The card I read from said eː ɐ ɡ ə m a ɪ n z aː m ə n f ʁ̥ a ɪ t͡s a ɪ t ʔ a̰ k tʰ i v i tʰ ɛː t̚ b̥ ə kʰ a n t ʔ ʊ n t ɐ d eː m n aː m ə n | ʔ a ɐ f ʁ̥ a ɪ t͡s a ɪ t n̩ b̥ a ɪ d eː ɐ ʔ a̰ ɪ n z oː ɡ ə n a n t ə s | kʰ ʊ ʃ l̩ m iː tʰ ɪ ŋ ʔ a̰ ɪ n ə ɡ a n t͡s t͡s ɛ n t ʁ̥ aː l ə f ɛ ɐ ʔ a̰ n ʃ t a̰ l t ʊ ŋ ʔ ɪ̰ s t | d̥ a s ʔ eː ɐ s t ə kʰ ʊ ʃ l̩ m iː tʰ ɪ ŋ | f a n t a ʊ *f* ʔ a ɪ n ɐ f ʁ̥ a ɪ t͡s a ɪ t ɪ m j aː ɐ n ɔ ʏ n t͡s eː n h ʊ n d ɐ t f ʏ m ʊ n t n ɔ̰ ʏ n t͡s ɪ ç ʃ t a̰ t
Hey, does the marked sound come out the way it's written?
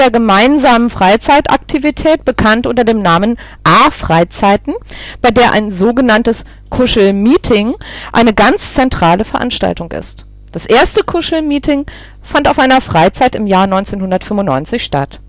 yes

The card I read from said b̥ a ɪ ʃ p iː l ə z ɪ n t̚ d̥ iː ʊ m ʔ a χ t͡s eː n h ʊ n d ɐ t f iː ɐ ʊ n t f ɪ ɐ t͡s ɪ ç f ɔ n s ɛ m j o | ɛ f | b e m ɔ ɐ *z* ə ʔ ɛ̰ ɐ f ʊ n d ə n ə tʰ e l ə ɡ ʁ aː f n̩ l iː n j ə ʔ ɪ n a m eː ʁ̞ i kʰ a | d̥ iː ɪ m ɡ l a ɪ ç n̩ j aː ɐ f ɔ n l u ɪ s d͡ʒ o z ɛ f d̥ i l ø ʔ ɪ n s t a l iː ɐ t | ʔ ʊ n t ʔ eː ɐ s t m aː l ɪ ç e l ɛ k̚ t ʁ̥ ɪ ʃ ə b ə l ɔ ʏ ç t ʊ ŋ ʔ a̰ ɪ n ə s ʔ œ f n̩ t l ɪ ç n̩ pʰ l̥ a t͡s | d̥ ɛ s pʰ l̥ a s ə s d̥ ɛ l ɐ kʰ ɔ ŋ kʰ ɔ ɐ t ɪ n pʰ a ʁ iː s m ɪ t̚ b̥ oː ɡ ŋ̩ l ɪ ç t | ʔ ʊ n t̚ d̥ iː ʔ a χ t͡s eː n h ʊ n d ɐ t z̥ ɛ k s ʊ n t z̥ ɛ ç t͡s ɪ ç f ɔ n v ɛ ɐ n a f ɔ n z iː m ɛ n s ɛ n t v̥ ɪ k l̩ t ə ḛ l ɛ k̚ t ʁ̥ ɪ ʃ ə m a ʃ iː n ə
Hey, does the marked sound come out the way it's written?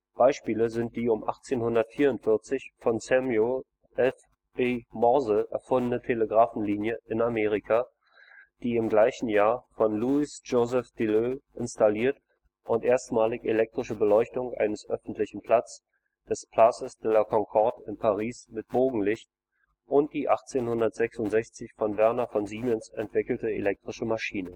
yes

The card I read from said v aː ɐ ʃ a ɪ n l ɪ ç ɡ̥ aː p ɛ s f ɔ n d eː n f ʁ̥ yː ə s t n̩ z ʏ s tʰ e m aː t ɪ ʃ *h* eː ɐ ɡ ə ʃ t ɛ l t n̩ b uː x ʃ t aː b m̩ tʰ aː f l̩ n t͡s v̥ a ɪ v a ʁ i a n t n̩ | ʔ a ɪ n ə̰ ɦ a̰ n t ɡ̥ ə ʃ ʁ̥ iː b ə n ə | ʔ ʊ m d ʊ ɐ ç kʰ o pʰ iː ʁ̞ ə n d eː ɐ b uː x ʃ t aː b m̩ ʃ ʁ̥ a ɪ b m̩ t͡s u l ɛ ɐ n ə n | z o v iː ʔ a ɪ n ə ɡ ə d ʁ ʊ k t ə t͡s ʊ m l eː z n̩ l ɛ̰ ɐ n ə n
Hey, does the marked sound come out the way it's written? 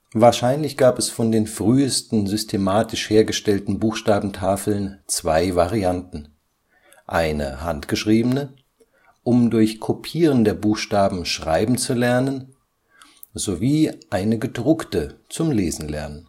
yes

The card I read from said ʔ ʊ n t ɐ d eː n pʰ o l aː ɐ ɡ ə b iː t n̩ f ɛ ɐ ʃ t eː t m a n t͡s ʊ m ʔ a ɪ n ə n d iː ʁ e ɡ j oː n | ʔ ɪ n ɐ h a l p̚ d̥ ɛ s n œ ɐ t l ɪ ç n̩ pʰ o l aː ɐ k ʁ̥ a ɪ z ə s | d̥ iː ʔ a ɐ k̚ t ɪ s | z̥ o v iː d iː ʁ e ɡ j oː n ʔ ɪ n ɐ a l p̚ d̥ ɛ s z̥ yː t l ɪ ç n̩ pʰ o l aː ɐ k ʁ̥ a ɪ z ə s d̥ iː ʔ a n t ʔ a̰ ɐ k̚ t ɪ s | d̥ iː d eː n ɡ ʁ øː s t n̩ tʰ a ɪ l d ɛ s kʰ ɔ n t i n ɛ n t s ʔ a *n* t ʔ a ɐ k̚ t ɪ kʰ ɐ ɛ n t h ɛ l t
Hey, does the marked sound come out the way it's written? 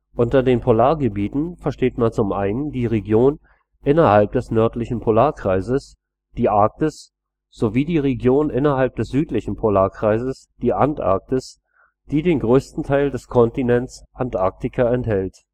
yes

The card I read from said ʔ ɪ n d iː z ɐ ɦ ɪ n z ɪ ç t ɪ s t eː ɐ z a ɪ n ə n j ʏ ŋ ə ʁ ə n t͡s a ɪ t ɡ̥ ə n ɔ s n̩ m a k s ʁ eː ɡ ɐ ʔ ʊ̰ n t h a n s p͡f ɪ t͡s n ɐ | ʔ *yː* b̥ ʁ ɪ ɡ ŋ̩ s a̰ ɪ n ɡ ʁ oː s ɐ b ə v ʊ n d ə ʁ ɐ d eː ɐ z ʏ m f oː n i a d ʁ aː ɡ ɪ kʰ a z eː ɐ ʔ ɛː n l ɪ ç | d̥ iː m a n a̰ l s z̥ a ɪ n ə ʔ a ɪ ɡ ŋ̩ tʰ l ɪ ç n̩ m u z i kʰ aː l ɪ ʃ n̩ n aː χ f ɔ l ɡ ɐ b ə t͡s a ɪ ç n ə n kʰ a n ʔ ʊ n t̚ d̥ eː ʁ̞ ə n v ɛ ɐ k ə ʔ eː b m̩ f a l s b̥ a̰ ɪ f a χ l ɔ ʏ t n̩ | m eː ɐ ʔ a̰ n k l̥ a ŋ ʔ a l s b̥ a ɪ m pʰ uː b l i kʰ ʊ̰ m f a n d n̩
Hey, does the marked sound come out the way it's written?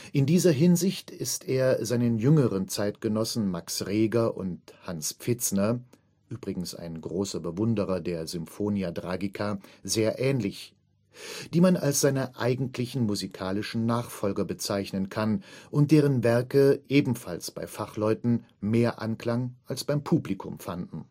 yes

